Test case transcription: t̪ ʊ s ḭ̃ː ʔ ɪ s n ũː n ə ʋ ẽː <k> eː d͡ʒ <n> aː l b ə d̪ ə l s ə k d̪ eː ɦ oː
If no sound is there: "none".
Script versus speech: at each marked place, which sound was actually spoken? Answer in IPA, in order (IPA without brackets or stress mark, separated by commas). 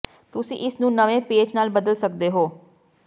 p, n